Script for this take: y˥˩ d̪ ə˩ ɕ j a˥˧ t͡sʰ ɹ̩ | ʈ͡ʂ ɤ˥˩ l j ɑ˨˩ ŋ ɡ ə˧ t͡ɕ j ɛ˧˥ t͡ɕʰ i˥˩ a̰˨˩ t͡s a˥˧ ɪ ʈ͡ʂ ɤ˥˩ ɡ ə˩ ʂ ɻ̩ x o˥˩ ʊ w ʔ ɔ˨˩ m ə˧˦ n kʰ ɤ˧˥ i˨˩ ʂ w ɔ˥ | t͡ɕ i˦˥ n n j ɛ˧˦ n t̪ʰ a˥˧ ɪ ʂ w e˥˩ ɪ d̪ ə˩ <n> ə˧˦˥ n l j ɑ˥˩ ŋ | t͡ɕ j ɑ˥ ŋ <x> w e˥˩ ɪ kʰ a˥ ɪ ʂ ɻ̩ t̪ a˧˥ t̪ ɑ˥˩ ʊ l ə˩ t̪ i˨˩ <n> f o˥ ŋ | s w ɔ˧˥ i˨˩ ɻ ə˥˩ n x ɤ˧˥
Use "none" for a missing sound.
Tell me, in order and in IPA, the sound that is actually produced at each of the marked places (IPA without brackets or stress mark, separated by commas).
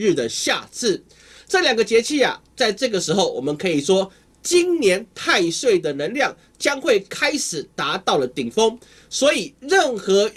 n, x, ŋ